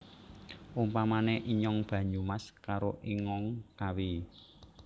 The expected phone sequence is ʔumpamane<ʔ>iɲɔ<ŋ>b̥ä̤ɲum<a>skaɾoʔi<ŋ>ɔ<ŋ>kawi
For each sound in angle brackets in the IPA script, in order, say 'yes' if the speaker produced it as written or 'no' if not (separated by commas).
yes, yes, yes, yes, yes